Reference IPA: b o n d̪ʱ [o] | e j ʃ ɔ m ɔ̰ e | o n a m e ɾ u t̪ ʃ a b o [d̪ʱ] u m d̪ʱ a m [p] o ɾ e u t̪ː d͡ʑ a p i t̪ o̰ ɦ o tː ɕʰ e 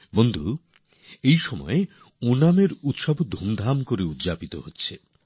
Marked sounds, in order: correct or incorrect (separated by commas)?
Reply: incorrect, correct, incorrect